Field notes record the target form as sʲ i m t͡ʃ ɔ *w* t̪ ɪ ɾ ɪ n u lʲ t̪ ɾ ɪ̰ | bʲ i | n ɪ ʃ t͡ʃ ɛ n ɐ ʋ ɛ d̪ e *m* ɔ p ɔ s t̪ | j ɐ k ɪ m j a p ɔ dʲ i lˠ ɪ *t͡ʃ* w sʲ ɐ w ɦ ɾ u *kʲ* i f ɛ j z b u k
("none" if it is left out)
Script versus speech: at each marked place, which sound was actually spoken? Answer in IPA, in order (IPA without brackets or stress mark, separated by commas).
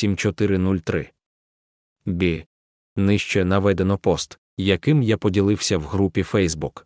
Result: none, n, none, pʲ